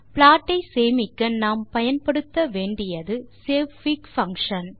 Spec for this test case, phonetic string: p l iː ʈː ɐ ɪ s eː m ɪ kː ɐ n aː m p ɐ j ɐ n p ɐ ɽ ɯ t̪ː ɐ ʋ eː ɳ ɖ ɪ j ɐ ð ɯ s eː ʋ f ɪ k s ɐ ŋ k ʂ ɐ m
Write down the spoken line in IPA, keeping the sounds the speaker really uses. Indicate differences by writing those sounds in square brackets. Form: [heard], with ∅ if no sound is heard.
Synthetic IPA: p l [aː] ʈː ɐ ɪ s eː m ɪ kː ɐ n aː m p ɐ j ɐ n p ɐ ɽ ɯ t̪ː ɐ ʋ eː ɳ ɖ ɪ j ɐ ð ɯ s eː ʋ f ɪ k [f] ɐ ŋ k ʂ ɐ [n]